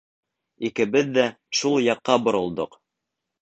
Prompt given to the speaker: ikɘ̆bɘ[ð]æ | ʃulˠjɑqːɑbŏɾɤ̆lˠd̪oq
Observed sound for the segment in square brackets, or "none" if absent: ðː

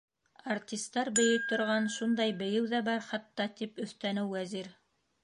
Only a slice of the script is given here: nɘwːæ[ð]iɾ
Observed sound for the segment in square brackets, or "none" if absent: z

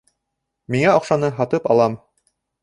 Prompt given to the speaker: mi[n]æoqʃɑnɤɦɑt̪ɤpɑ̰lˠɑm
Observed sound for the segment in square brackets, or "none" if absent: ŋ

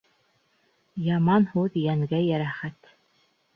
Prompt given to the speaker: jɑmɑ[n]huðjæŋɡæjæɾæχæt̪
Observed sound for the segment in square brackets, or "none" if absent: n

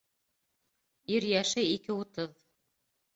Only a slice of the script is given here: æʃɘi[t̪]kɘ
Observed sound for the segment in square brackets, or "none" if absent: none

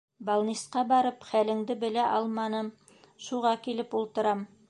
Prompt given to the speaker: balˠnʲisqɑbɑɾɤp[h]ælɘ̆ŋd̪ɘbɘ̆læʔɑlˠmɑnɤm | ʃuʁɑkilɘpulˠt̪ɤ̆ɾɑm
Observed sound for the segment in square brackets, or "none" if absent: χ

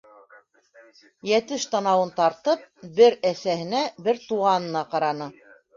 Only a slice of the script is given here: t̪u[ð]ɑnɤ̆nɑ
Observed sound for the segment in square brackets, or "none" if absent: ʁ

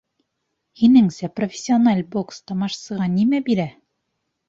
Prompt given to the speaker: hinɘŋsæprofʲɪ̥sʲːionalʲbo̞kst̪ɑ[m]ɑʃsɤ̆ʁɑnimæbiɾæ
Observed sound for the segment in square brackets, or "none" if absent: m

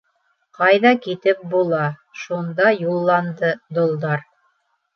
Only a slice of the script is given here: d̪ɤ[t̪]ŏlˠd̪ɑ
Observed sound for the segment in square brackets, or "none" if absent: d̪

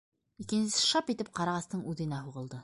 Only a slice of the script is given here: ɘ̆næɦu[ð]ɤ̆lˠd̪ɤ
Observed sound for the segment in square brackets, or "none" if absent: ʁ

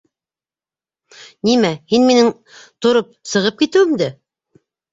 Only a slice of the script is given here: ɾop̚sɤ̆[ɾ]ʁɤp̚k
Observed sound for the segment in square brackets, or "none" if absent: none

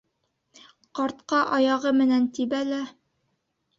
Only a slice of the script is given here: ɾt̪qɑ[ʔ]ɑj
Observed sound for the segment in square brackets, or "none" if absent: ʔ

